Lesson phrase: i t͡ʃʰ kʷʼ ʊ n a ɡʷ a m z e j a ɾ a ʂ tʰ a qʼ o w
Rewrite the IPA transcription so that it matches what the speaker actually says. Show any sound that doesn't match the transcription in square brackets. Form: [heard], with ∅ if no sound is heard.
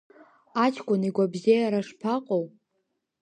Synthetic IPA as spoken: [a] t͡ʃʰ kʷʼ ʊ n [i] ɡʷ a [b] z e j a ɾ a ʂ [pʰ] a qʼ o w